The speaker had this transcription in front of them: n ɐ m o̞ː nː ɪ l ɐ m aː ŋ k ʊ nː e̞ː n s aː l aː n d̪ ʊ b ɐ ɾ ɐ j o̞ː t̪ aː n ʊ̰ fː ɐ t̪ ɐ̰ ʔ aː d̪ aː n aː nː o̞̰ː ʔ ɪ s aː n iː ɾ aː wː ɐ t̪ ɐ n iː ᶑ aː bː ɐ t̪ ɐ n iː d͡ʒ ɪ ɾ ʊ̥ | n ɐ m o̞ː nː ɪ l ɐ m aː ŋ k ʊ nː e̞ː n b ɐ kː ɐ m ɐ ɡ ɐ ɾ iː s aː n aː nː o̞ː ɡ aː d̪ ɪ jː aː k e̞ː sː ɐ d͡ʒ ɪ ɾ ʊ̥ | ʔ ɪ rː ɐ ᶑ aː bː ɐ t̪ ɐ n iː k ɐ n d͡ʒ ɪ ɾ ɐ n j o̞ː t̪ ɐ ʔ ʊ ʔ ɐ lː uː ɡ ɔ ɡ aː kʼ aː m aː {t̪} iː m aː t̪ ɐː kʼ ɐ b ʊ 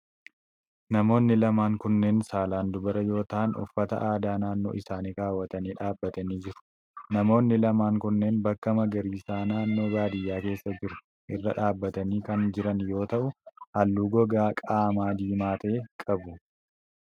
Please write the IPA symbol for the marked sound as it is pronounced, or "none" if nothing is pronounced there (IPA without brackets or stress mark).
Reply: d̪